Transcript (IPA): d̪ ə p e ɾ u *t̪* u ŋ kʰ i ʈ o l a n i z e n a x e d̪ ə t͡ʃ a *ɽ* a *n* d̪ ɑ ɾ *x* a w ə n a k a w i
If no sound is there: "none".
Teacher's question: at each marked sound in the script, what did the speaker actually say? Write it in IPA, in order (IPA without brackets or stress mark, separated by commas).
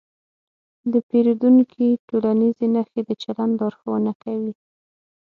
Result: d̪, l, n, x